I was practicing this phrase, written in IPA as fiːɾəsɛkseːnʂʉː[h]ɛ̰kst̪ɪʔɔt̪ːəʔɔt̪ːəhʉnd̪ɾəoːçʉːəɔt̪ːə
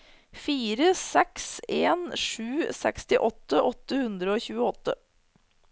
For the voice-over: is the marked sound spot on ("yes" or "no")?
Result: no